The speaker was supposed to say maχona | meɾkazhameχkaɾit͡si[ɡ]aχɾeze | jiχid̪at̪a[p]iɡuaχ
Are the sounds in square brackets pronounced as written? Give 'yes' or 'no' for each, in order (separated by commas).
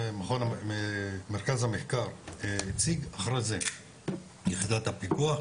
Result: yes, yes